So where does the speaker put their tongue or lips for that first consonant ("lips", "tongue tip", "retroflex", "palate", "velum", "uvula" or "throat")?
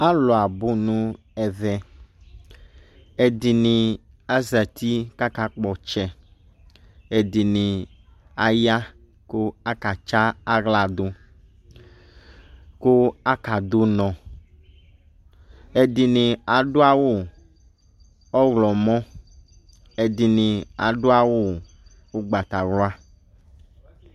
tongue tip